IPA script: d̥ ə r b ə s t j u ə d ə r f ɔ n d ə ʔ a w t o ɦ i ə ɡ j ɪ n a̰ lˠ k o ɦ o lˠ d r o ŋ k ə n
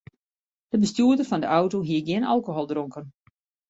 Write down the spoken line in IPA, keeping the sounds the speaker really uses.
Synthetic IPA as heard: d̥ ə b ə s t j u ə d ə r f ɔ n d ə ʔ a w t o ɦ i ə ɡ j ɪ n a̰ lˠ k o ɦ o lˠ d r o ŋ k ə n